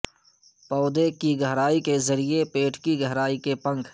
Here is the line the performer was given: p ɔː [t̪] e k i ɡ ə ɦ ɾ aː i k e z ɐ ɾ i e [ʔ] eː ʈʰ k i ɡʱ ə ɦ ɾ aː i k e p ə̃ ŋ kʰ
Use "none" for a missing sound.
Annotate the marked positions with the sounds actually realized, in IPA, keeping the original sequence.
d̪, p

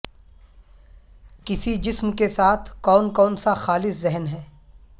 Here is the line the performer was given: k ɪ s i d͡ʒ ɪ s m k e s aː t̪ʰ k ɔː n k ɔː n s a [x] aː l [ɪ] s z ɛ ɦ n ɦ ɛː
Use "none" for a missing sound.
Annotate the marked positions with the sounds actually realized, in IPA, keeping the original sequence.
x, ɪ

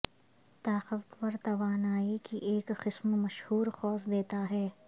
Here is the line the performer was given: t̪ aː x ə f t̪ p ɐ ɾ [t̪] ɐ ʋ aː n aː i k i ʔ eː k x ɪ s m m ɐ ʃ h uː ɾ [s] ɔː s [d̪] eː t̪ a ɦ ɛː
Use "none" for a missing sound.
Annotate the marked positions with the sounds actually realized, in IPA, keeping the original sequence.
t̪, x, d̪

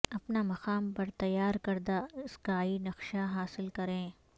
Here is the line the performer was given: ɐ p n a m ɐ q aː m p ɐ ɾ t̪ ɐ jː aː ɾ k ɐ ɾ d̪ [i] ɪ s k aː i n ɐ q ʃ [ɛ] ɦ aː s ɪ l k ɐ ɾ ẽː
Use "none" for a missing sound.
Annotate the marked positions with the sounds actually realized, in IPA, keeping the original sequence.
a, a

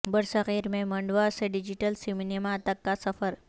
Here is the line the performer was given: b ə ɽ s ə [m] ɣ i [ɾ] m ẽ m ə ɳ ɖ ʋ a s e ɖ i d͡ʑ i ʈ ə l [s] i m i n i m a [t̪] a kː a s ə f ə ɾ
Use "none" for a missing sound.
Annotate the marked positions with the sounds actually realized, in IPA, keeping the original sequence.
none, ɾ, s, t̪

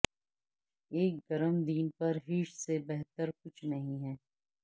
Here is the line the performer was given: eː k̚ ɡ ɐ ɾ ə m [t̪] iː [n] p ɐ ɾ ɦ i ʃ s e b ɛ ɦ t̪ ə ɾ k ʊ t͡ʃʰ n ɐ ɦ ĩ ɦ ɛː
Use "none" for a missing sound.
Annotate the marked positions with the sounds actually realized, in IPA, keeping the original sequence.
d̪, n

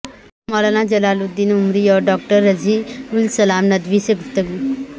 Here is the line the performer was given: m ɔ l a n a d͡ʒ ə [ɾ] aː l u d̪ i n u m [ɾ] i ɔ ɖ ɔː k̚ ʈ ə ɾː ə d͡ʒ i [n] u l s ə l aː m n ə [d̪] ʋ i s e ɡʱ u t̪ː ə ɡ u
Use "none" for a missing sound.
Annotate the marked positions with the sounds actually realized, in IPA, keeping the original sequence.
l, ɾ, none, d̪

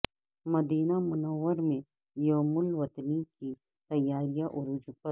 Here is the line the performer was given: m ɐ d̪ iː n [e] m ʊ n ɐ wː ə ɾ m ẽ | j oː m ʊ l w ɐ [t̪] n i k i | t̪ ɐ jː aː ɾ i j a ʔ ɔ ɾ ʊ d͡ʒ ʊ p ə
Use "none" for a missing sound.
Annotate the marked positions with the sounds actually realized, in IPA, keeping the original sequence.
a, t̪

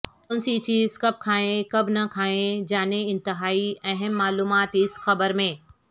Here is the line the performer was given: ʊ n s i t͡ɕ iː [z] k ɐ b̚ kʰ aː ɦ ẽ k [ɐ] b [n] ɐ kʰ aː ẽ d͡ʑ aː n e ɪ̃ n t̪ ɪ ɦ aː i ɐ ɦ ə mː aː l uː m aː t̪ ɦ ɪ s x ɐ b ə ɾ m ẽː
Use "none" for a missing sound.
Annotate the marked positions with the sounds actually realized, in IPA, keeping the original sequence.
z, ɐ, n

